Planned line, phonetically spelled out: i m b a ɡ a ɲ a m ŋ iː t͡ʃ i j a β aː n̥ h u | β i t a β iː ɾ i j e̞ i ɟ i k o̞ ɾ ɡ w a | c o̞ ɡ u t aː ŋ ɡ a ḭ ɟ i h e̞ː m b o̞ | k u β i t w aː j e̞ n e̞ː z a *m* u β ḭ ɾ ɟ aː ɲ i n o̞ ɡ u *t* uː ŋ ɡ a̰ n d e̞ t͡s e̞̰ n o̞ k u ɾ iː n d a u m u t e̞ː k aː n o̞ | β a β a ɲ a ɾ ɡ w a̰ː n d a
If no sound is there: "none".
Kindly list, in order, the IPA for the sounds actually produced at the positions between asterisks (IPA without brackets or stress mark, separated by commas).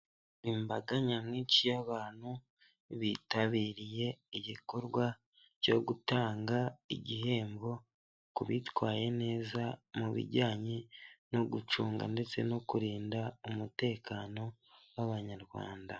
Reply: m, t͡ʃ